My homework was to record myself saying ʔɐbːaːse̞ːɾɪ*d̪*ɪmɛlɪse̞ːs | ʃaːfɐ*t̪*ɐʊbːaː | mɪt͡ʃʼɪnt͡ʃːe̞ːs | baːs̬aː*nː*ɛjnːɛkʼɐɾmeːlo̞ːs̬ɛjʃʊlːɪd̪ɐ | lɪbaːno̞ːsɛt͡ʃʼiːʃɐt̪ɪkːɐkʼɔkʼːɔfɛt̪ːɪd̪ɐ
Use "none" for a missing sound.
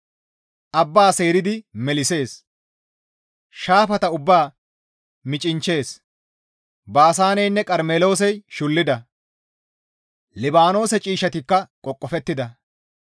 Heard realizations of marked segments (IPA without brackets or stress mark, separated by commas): d̪, t̪, n